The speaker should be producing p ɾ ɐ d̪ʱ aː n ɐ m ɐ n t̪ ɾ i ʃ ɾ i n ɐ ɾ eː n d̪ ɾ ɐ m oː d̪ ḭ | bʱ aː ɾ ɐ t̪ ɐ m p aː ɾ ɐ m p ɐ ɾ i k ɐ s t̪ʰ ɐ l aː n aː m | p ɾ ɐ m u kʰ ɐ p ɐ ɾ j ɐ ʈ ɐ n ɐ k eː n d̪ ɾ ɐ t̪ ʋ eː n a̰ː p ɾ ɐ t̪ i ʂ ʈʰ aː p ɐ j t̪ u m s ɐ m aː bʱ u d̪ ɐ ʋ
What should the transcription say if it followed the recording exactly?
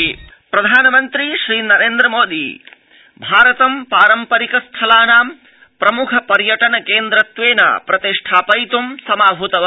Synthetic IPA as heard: p ɾ ɐ d̪ʱ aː n ɐ m ɐ n t̪ ɾ i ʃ ɾ iː n ɐ ɾ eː n d̪ ɾ ɐ m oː d̪ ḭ | bʱ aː ɾ ɐ t̪ ɐ m p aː ɾ ɐ m p ɐ ɾ i k ɐ s t̪ʰ ɐ l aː n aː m | p ɾ ɐ m u kʰ ɐ p ɐ ɾ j ɐ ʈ ɐ n ɐ k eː n d̪ ɾ ɐ t̪ ʋ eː n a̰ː p ɾ ɐ t̪ i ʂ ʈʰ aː p ɐ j t̪ u m s ɐ m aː bʱ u t̪ ɐ ʋ